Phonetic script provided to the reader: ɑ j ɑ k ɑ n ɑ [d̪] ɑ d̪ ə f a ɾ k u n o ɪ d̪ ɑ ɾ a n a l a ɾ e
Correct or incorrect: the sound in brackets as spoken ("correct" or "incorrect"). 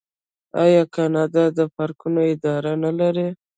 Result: correct